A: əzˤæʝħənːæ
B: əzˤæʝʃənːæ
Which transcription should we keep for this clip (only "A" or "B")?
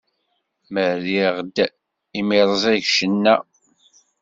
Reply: B